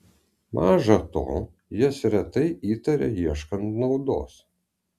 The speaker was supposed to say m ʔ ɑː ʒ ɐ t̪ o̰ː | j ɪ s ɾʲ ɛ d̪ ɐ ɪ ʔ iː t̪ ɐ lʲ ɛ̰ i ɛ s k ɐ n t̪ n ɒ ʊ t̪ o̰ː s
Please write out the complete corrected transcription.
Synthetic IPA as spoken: m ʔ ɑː ʒ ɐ t̪ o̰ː | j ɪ s ɾʲ ɛ t̪ ɐ ɪ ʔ iː t̪ ɐ ɾʲ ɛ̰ i ɛ ʃ k ɐ n t̪ n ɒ ʊ d̪ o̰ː s